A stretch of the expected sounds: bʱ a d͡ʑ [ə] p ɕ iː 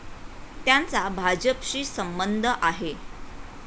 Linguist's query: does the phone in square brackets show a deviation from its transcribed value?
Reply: no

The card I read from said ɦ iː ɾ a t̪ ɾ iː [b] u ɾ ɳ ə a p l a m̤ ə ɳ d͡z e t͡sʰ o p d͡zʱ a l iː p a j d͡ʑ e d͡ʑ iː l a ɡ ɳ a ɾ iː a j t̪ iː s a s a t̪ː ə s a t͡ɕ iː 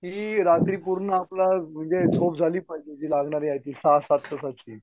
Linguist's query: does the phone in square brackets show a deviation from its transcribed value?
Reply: yes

